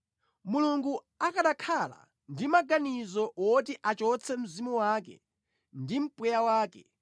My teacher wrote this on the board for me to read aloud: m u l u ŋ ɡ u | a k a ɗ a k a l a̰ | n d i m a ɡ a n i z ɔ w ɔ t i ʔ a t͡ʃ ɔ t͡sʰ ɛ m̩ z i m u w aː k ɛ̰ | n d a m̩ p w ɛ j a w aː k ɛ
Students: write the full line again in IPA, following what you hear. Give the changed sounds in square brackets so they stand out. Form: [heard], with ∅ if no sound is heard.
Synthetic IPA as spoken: m u l u ŋ ɡ u | a k a ɗ a [kʰ] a l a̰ | n d i m a ɡ a n i z ɔ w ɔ t i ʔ a t͡ʃ ɔ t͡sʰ ɛ m̩ z i m u w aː k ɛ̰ | n d [i] m̩ p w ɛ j a w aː k ɛ